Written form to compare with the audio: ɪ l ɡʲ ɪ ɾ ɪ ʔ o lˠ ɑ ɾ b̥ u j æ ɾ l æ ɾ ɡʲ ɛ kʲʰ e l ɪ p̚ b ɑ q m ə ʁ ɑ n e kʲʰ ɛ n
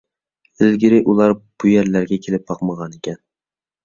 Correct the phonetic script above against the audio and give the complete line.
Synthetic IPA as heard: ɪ l ɡʲ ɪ ɾ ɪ ʔ u lˠ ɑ ɾ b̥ u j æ ɾ l æ ɾ ɡʲ ɛ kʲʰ e l ɪ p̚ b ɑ q m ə ʁ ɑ n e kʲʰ ɛ n